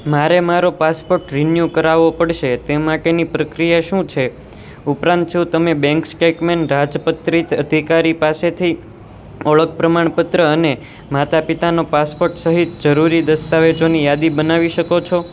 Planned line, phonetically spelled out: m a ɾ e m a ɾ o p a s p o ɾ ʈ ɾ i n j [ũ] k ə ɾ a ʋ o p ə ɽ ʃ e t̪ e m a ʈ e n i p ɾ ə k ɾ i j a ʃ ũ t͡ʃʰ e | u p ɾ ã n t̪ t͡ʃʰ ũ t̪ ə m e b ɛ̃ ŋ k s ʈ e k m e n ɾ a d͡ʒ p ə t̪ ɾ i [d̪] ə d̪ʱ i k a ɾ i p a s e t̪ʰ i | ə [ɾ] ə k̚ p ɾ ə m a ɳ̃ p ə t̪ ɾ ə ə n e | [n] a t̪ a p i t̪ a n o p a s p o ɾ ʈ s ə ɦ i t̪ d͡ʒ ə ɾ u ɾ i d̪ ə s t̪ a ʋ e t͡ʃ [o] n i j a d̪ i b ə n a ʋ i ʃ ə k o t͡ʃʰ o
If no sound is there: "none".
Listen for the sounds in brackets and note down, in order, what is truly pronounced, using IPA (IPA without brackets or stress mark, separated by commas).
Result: u, t̪, ɭ, m, o